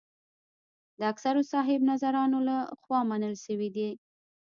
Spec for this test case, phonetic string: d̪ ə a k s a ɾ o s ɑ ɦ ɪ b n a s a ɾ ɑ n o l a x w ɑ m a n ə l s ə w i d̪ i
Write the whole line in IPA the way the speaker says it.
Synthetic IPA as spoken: d̪ ə a k s a ɾ o s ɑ ɦ ɪ b n a z a ɾ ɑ n o l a x w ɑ m a n ə l ʃ ə w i d̪ i